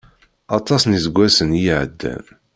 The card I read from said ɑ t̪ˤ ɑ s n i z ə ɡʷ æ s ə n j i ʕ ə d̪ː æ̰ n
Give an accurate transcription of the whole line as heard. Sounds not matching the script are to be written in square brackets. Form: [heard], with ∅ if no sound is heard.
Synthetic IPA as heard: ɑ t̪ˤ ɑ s n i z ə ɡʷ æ s ə n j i ʕ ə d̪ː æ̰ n